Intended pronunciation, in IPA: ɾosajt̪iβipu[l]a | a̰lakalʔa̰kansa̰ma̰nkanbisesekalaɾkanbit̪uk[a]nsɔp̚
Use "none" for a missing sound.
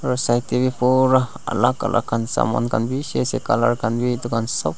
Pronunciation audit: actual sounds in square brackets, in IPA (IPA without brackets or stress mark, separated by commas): ɾ, a